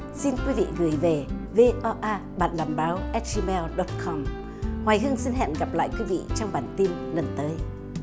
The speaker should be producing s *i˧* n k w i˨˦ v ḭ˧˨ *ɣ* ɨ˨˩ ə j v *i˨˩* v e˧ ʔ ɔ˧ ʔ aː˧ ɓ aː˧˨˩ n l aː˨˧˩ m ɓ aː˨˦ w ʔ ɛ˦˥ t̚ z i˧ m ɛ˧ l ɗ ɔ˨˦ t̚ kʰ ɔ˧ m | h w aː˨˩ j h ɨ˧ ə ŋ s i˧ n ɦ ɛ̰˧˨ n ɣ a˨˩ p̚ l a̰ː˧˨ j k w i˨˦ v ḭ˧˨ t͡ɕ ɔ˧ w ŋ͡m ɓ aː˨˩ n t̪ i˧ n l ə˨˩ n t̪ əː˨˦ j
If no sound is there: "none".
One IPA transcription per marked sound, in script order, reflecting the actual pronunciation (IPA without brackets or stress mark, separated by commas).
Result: i˧, ɣ, e˨˩